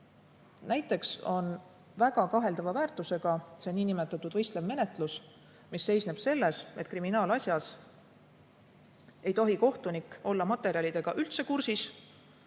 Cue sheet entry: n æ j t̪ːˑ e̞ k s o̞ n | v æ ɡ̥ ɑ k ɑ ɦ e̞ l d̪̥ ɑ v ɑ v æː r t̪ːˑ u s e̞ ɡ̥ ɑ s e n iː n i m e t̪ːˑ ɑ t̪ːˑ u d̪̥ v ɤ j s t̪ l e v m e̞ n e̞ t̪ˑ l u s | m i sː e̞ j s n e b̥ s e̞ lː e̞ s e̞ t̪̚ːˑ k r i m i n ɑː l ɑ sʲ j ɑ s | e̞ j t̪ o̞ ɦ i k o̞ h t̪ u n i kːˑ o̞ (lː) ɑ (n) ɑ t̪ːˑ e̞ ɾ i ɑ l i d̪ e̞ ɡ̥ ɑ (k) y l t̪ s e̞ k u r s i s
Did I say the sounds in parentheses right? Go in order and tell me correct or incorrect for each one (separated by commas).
correct, incorrect, incorrect